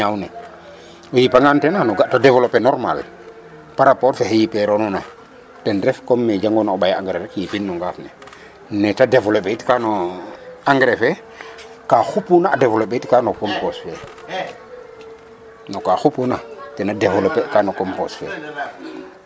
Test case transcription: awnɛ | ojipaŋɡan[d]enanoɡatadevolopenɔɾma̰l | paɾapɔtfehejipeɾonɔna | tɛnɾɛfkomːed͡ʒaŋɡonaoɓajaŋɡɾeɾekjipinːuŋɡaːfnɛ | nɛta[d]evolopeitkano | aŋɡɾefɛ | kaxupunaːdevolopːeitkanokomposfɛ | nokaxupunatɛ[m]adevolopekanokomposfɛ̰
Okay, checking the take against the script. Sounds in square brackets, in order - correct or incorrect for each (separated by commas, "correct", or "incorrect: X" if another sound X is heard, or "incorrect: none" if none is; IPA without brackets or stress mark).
incorrect: t, correct, incorrect: n